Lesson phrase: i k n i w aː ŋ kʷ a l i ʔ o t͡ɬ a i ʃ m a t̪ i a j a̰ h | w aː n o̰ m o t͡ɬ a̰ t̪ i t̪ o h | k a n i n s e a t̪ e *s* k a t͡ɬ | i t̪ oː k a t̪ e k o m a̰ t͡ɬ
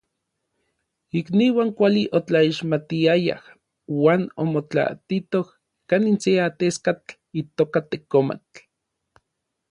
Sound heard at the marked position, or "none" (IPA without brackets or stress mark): s